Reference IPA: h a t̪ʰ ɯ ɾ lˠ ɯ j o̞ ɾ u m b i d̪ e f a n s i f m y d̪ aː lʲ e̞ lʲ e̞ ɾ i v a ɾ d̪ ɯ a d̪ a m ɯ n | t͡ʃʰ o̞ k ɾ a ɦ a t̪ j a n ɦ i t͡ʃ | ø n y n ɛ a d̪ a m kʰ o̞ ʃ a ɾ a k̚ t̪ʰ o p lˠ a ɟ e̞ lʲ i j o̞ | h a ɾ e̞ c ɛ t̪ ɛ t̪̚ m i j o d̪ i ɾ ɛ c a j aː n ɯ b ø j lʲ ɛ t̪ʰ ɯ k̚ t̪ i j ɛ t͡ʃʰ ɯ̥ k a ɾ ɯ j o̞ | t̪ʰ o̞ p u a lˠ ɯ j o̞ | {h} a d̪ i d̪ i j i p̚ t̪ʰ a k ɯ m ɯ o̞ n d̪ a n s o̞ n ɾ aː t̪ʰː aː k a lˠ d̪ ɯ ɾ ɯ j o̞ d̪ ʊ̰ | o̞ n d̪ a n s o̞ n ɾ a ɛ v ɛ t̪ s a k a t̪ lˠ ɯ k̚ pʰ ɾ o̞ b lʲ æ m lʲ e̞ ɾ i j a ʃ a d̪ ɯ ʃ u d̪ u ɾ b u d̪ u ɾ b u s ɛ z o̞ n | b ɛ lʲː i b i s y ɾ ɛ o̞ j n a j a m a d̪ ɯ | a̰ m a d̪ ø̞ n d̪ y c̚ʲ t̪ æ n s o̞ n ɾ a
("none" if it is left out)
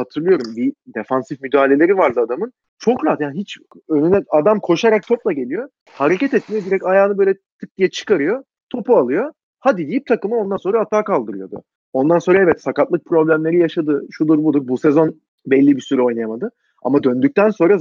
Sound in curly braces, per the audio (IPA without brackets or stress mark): h